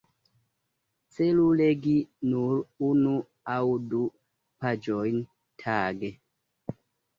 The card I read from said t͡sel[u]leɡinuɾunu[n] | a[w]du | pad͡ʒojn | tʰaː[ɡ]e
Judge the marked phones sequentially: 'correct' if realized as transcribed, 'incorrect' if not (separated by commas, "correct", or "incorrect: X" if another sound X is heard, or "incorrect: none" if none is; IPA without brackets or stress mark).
correct, incorrect: none, correct, correct